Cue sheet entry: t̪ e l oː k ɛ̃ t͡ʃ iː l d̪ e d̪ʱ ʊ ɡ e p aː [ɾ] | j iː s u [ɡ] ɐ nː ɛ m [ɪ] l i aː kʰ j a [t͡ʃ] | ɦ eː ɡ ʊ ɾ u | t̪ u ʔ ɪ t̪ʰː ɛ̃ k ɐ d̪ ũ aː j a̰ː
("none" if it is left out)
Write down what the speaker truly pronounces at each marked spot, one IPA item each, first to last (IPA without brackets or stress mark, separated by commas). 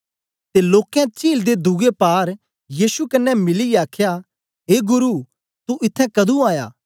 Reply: ɾ, k, ɪ, none